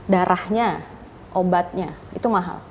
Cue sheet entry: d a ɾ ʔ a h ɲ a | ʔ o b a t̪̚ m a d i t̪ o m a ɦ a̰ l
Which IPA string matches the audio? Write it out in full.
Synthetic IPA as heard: d a ɾ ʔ a h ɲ a | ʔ o b a t̪̚ ɲ a i t̪ u m a ɦ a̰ l